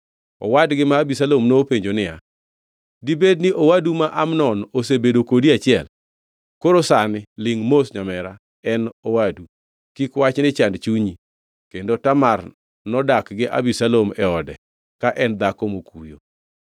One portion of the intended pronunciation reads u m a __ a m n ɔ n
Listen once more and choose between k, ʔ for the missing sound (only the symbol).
ʔ